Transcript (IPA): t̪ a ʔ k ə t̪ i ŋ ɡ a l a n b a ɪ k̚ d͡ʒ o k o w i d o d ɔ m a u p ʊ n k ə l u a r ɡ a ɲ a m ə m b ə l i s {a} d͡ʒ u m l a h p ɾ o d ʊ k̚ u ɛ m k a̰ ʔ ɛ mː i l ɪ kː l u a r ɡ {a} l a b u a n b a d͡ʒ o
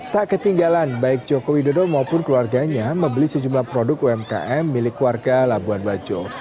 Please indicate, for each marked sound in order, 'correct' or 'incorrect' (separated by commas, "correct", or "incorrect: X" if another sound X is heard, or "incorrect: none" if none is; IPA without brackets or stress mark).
incorrect: ə, correct